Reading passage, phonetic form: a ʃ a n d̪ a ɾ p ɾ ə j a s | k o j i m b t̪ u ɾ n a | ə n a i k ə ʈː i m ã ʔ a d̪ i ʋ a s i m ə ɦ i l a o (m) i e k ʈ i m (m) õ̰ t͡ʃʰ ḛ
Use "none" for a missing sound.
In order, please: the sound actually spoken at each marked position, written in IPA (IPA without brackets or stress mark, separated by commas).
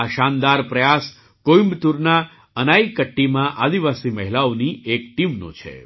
n, n